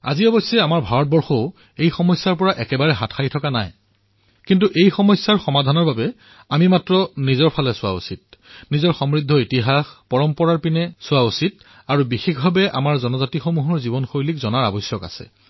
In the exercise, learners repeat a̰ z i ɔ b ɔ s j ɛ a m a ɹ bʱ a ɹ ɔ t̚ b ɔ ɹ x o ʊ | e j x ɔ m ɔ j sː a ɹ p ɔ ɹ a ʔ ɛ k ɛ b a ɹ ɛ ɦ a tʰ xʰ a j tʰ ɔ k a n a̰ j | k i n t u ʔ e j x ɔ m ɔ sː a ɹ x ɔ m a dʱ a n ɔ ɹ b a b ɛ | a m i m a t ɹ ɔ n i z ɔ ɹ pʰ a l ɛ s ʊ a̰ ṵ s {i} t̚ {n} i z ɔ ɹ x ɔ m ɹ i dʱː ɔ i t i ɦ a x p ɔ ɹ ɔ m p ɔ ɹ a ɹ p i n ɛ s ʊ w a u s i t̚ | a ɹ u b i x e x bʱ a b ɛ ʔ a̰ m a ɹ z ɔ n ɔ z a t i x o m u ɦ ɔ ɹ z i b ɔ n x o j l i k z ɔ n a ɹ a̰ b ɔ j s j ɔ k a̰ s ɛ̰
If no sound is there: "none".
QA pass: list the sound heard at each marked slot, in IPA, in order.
i, n

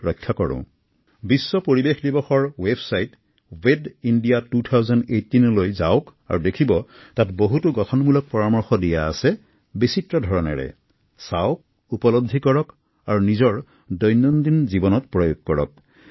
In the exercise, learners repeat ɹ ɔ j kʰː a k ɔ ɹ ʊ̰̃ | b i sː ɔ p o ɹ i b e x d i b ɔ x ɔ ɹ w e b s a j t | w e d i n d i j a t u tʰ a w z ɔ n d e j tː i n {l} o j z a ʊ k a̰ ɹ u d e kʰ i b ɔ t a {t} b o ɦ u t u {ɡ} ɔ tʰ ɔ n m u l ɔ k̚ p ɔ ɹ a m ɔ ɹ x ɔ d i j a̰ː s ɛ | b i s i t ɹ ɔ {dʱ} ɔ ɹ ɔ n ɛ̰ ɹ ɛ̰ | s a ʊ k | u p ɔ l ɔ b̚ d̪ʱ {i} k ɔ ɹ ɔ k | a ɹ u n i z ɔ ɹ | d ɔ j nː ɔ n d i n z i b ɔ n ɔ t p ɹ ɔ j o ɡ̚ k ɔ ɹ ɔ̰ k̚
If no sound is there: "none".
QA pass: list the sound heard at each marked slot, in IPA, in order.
l, t, ɡ, dʱ, i

